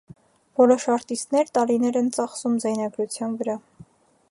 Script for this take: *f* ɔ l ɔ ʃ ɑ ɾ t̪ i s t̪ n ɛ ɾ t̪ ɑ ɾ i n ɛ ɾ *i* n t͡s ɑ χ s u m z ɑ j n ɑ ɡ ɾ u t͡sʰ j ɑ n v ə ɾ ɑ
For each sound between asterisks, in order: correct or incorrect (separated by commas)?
incorrect, incorrect